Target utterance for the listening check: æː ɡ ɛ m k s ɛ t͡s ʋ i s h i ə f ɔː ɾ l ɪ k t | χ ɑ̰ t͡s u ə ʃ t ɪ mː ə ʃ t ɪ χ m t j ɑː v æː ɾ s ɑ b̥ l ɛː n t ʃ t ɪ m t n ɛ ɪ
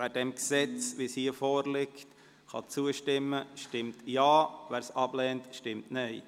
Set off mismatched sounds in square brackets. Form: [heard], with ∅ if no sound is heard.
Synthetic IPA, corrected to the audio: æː [d] ɛ m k s ɛ t͡s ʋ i s h i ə f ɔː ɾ l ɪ k t | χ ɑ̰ t͡s u ə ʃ t ɪ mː ə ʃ t ɪ [∅] m t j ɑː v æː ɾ s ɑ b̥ l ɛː n t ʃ t ɪ m t n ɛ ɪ